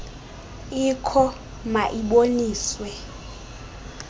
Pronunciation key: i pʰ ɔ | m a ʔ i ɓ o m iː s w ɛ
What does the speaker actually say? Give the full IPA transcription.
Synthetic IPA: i kʰ ɔ | m a ʔ i ɓ o n iː s w ɛ

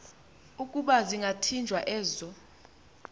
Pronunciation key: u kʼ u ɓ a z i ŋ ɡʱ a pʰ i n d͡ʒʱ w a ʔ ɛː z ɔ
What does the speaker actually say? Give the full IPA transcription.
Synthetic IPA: u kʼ u ɓ a z i ŋ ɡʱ a tʰ i n d͡ʒʱ w a ʔ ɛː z ɔ

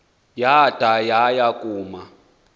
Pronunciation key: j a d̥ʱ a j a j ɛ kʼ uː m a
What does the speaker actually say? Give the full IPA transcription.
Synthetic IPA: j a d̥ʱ a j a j a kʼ uː m a

